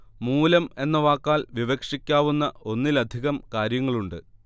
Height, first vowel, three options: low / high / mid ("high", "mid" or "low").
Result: high